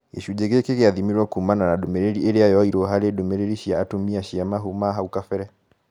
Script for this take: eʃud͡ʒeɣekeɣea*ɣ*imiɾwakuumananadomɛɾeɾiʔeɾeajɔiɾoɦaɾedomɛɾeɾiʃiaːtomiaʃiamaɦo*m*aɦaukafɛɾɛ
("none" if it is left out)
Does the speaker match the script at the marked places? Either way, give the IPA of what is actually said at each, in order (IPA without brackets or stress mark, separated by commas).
ð, m